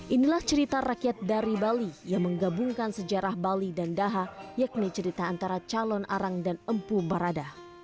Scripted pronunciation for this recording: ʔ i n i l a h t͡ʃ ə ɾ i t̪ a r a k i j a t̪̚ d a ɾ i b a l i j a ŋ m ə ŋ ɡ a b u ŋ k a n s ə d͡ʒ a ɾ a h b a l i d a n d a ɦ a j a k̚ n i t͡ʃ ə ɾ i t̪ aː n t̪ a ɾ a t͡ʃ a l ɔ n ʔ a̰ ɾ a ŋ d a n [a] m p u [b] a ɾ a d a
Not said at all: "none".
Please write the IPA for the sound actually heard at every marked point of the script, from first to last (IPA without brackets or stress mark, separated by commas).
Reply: ə, b